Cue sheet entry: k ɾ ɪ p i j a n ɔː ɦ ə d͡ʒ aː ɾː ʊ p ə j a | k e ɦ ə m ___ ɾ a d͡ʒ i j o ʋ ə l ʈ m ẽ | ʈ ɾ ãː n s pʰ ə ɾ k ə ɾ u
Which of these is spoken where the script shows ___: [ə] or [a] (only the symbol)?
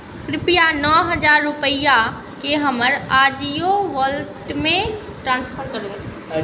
ə